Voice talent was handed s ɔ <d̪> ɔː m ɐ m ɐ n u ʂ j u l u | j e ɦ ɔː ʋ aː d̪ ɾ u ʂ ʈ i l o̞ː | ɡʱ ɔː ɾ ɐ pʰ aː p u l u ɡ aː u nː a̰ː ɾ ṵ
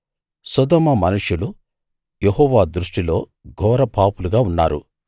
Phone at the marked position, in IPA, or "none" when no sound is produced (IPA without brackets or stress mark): d̪